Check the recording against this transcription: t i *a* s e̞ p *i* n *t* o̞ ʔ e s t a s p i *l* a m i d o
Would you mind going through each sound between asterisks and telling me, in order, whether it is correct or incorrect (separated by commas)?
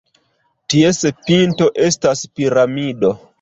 incorrect, correct, correct, incorrect